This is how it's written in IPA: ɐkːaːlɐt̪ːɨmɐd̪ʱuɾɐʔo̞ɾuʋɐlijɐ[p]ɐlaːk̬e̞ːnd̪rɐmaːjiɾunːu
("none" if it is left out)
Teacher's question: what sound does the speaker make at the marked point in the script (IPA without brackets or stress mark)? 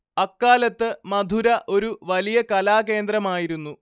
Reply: k